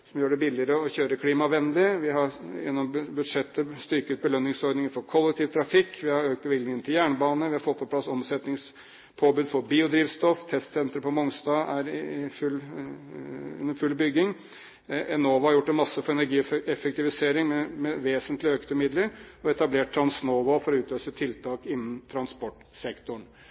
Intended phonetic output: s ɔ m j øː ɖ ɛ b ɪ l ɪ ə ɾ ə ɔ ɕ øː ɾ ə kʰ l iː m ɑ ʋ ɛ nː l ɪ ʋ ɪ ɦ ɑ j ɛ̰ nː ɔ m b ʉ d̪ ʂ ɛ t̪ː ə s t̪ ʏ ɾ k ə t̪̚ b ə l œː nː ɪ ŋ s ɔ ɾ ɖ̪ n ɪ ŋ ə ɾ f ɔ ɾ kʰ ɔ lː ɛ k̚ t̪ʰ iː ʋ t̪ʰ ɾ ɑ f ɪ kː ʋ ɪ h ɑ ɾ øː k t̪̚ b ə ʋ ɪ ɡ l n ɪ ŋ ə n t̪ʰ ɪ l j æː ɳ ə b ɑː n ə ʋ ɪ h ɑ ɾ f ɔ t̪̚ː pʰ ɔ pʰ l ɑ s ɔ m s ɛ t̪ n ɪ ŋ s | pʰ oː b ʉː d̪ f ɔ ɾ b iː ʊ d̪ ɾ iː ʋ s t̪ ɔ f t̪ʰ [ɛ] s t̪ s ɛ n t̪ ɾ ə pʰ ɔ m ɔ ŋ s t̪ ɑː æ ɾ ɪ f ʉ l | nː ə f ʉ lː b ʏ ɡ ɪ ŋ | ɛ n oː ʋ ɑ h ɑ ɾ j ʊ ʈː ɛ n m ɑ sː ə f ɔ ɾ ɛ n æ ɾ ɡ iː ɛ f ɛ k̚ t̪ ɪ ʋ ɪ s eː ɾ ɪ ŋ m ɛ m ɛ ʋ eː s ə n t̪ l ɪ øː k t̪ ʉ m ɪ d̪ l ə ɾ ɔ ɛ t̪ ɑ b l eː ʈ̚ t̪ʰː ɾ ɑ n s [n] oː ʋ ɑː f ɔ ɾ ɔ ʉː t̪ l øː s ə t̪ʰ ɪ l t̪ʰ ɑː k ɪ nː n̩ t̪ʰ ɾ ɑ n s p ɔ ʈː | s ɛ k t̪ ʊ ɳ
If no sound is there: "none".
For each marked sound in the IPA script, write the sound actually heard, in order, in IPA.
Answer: ɛ, n

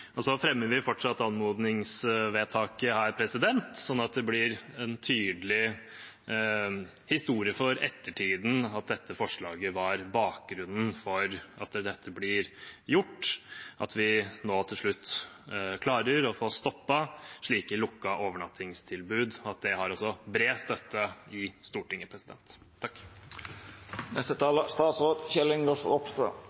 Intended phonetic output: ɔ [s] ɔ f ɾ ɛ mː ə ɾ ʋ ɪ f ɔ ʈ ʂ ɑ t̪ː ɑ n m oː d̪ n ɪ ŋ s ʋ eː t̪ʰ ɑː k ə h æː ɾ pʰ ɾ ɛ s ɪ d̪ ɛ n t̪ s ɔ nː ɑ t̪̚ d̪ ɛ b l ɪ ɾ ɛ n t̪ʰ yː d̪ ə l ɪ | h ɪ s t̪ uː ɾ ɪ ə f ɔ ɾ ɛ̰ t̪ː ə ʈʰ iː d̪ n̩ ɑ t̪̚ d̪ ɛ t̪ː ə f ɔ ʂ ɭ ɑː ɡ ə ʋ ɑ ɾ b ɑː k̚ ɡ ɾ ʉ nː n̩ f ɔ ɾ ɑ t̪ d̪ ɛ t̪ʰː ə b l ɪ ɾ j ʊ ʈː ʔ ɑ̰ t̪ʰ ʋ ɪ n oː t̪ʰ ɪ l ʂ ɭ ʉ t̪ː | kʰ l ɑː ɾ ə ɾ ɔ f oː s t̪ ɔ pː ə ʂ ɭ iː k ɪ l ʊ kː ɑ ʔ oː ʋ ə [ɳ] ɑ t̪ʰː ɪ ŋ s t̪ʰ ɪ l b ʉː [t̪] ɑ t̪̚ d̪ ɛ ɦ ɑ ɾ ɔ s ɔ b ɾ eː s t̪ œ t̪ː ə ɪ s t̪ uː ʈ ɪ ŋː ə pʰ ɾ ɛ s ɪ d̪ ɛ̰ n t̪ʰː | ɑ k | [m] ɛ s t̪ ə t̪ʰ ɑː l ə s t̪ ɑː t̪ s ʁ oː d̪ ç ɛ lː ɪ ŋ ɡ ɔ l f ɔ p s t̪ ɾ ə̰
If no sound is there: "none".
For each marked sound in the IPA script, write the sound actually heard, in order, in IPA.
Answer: s, ɳ, d̪, n

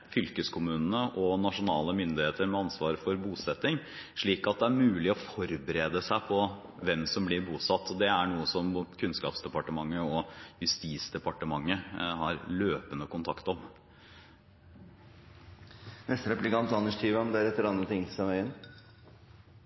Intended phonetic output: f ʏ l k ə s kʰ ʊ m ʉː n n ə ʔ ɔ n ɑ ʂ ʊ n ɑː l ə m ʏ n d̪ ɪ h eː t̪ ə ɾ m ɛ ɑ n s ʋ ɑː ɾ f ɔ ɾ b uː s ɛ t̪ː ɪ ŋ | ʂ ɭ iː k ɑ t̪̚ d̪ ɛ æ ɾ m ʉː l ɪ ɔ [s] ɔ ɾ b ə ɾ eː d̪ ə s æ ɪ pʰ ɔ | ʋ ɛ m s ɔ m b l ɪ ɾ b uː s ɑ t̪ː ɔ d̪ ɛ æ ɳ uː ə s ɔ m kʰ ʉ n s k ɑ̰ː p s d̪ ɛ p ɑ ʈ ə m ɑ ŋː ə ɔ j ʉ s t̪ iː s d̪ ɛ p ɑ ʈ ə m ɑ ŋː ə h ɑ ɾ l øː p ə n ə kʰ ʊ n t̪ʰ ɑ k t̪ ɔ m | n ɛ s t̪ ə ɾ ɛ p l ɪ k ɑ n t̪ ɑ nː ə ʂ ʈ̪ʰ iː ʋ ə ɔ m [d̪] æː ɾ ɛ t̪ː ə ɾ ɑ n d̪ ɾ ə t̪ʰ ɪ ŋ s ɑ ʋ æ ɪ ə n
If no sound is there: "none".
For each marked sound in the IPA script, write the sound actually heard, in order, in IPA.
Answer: f, d̪

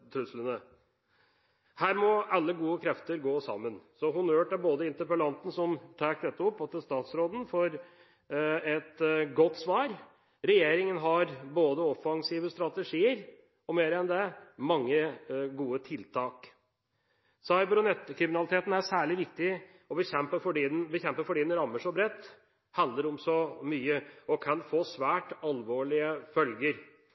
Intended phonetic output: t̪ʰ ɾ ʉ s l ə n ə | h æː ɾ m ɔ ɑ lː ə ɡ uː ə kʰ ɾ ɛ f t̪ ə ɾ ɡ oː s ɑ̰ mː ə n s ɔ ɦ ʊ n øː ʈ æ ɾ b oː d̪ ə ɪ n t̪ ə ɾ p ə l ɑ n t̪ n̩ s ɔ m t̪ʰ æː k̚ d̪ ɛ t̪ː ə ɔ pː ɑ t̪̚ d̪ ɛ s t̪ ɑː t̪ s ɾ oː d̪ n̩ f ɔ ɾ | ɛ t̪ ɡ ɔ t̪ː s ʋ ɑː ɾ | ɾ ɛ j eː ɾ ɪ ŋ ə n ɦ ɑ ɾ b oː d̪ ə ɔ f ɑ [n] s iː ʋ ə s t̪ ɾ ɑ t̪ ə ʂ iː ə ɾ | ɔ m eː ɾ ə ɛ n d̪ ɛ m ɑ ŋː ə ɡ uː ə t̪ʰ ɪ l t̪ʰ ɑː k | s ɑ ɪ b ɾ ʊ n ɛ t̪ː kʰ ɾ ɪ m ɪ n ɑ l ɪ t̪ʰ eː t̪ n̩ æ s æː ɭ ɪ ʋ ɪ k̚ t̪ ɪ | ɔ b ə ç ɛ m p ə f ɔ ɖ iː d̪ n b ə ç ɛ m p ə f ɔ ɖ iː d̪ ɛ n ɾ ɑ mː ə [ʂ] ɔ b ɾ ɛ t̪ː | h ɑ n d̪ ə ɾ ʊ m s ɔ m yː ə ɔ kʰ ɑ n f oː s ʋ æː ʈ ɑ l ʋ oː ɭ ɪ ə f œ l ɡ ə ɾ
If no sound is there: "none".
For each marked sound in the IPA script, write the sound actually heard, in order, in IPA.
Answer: ŋ, ʂ

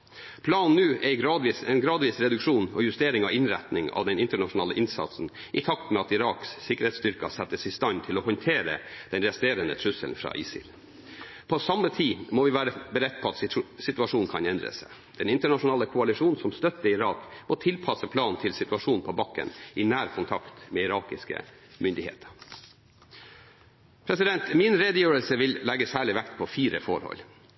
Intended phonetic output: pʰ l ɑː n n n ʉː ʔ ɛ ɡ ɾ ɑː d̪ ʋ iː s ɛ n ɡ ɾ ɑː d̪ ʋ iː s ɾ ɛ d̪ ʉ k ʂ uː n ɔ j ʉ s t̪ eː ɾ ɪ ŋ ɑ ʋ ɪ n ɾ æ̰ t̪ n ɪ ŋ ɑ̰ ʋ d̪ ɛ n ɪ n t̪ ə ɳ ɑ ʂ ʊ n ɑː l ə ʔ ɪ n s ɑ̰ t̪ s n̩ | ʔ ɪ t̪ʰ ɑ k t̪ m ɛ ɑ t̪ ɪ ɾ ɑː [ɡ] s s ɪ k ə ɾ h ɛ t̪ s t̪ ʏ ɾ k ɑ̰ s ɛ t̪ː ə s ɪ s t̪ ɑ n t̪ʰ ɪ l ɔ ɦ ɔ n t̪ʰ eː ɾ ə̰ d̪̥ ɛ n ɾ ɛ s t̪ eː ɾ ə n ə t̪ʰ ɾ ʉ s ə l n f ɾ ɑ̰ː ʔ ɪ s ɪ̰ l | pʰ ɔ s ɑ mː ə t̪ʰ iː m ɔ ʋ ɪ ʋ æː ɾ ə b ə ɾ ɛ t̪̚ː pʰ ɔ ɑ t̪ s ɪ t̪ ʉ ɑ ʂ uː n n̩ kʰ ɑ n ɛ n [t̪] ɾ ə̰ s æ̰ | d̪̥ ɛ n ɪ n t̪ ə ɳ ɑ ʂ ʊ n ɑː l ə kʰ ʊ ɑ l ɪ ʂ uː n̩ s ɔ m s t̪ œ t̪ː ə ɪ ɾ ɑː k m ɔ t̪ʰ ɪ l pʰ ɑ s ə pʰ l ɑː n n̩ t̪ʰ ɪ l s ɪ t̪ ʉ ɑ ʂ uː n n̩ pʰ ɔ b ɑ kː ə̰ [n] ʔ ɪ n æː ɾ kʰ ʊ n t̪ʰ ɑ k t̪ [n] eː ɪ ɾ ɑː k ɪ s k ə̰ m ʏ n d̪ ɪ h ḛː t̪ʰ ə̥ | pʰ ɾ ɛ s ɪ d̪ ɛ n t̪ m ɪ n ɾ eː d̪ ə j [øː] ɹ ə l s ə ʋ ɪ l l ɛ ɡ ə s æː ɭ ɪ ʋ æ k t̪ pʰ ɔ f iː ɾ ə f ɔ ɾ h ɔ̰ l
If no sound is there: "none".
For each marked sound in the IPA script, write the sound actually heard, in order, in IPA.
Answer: k, d̪, n, m, øː

